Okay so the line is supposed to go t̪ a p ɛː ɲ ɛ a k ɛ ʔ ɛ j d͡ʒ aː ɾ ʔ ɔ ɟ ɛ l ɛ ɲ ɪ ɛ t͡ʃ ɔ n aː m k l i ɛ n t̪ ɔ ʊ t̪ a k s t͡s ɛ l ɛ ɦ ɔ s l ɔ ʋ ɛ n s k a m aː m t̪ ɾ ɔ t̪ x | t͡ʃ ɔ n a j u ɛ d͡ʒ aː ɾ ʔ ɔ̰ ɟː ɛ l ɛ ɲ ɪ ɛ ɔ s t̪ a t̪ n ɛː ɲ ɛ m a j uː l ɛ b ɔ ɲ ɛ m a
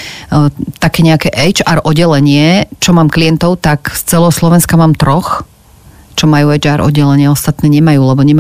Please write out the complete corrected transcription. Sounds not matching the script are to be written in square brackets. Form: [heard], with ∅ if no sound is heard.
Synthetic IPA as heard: t̪ a [k] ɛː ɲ ɛ a k ɛ ʔ ɛ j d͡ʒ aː ɾ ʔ ɔ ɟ ɛ l ɛ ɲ ɪ ɛ t͡ʃ ɔ [m] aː m k l i ɛ n t̪ ɔ ʊ t̪ a k s t͡s ɛ l ɛ ɦ ɔ s l ɔ ʋ ɛ n s k a m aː m t̪ ɾ ɔ [∅] x | t͡ʃ ɔ [m] a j u ɛ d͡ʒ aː ɾ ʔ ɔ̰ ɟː ɛ l ɛ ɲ ɪ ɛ ɔ s t̪ a t̪ n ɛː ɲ ɛ m a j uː l ɛ b ɔ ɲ ɛ m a